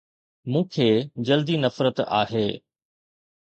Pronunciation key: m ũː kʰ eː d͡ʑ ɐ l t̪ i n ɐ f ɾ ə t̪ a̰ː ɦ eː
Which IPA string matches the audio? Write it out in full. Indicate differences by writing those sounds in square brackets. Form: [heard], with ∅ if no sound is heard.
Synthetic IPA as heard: m ũː kʰ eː d͡ʑ ɐ l [d̪] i n ɐ f ɾ ə t̪ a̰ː ɦ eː